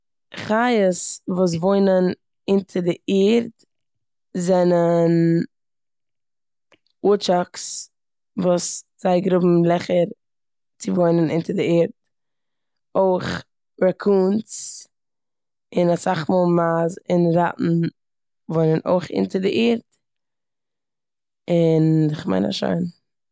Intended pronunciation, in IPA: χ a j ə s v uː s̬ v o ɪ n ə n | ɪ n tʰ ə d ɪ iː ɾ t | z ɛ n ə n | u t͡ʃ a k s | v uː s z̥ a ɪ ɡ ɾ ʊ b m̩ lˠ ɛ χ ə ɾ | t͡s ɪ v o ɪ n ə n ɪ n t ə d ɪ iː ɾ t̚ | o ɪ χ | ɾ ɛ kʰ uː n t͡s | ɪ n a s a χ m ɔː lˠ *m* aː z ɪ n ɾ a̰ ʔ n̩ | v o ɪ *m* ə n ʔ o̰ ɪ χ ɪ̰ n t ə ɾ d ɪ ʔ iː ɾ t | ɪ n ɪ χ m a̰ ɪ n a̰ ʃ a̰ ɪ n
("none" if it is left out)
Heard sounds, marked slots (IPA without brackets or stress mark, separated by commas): m, n